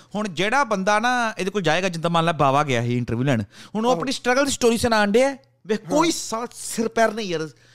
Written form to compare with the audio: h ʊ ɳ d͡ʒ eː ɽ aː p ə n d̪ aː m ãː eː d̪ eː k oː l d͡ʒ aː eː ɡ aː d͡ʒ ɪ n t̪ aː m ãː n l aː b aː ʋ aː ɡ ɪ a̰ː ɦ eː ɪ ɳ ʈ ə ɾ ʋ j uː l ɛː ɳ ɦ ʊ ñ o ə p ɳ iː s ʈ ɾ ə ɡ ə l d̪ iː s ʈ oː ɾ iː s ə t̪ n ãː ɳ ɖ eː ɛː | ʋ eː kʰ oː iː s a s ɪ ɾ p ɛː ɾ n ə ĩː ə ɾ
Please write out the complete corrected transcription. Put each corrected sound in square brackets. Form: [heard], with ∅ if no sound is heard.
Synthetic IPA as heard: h ʊ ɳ d͡ʒ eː ɽ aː [b] ə n d̪ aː [n] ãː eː d̪ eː k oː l d͡ʒ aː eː ɡ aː d͡ʒ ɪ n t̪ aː m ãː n l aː b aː ʋ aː ɡ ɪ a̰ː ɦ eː ɪ ɳ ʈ ə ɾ ʋ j uː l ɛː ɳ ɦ ʊ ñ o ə p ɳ iː s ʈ ɾ ə ɡ ə l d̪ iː s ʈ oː ɾ iː s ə [∅] n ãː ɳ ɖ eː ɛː | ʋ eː [k] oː iː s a s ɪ ɾ p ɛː ɾ n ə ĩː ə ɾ